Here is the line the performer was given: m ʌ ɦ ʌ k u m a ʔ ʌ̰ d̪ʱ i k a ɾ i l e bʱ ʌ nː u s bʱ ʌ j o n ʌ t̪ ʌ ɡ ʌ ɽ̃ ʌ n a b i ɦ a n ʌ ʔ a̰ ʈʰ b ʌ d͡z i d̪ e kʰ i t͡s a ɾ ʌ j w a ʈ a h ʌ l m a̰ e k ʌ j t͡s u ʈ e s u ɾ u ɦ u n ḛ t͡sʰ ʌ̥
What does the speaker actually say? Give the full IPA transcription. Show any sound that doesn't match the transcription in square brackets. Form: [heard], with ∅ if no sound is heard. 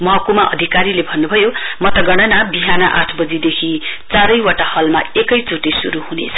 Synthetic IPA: m ʌ ɦ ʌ k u m a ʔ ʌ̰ d̪ʱ i k a ɾ i l e bʱ ʌ nː u [∅] bʱ ʌ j o [m] ʌ t̪ ʌ ɡ ʌ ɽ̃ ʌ n a b i ɦ a n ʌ ʔ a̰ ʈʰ b ʌ d͡z i d̪ e kʰ i t͡s a ɾ ʌ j w a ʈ a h ʌ l m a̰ e k ʌ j t͡s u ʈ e s u ɾ u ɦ u n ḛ t͡sʰ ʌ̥